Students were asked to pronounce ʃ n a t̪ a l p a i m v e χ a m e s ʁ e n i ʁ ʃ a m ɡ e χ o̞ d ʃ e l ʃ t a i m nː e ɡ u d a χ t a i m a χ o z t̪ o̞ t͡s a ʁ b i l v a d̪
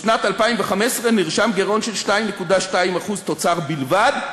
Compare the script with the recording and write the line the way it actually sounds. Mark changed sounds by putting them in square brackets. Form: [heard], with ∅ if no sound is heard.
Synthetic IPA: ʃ n a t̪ a l p a i m v e χ a m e s ʁ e n i ʁ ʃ a m ɡ e [ʁ] o̞ [n] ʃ e l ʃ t a i m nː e [k] u d a [ʃ] t a i m a χ [u] z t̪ o̞ t͡s a ʁ b i l v a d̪